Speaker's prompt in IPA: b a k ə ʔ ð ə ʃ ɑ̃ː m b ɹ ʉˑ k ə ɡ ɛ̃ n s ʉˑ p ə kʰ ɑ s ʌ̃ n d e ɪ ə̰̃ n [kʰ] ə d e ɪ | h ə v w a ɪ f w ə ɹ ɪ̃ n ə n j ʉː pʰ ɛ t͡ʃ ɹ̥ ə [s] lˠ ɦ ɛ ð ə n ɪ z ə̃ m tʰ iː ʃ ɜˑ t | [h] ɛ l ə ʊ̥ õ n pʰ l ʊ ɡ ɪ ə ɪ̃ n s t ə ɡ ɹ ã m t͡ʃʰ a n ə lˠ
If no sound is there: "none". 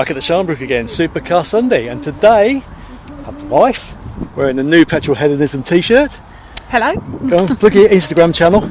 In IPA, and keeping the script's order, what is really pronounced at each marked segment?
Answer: tʰ, none, h

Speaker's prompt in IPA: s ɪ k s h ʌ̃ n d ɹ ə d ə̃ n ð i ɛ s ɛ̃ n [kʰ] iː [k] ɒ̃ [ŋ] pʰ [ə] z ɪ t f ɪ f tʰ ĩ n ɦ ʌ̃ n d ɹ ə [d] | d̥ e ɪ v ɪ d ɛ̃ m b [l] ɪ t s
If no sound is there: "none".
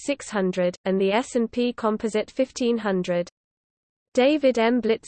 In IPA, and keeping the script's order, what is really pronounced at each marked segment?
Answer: pʰ, kʰ, m, ə, d, l

